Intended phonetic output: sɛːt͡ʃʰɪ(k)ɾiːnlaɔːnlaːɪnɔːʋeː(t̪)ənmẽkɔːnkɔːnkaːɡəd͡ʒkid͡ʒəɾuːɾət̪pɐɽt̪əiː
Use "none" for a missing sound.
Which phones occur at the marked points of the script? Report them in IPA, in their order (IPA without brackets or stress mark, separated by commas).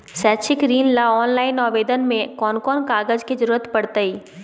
k, d̪